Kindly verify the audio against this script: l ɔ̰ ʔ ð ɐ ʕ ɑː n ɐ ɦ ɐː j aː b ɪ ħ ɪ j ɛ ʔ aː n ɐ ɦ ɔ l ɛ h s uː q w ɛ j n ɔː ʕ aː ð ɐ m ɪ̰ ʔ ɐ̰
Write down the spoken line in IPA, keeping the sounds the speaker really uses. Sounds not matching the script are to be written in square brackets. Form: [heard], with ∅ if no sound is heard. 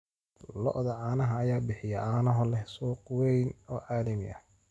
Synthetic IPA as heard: l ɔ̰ ʔ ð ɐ ʕ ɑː n ɐ ɦ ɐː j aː b ɪ ħ ɪ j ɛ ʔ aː n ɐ ɦ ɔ l ɛ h s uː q w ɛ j n ɔː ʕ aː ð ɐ m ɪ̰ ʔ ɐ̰